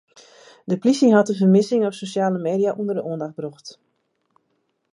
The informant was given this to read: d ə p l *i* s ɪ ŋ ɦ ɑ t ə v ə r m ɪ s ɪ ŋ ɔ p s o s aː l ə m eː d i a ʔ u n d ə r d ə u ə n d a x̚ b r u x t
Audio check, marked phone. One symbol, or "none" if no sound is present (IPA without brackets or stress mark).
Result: i